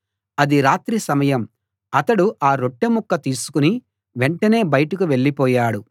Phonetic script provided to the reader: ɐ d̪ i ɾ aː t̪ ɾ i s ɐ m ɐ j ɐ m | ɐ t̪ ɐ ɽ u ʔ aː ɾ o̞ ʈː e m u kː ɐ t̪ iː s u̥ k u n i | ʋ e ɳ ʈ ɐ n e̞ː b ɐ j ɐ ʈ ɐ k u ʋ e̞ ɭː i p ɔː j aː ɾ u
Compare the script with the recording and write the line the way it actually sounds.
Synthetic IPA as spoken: ɐ d̪ i ɾ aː t̪ ɾ i s ɐ m ɐ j ɐ m | ɐ t̪ ɐ ɽ u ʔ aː ɾ o̞ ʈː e m u kː ɐ t̪ iː s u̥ k u n i | ʋ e ɳ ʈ ɐ n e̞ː b ɐ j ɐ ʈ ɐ k u ʋ e̞ ɭː i p ɔː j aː ɽ u